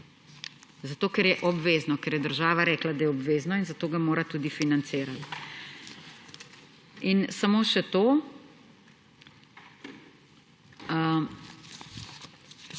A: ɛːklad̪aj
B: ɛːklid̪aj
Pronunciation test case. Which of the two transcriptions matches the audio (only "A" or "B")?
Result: A